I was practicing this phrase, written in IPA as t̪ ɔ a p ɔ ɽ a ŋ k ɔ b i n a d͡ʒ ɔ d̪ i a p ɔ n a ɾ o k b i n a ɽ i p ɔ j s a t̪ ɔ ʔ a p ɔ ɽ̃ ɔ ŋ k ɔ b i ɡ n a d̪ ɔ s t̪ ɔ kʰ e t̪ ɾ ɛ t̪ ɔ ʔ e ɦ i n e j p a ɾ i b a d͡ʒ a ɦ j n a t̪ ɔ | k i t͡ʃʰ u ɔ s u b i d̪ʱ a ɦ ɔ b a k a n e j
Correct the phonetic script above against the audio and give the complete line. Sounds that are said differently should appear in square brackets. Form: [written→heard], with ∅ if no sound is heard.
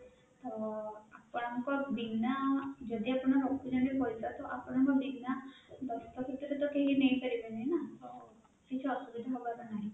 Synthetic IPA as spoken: t̪ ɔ a p ɔ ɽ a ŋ k ɔ b i n a d͡ʒ ɔ d̪ i a p ɔ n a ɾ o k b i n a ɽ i p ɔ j s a t̪ ɔ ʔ a p ɔ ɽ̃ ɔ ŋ k ɔ b i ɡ n a d̪ ɔ s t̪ ɔ kʰ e t̪ ɾ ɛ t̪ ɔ [ʔ→k] e ɦ i n e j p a ɾ i b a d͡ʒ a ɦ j n a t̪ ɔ | k i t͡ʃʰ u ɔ s u b i d̪ʱ a ɦ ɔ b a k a n [e→a] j